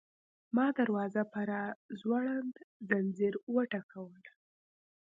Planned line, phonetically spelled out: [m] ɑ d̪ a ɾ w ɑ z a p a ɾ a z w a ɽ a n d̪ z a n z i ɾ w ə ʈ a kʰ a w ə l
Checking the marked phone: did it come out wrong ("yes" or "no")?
no